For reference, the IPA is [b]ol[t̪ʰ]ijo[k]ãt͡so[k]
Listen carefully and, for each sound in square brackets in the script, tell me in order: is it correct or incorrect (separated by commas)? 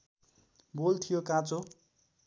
correct, correct, correct, incorrect